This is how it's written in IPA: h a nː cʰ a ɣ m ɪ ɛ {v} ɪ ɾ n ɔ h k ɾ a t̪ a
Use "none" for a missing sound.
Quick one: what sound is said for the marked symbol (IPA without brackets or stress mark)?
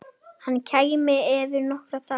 v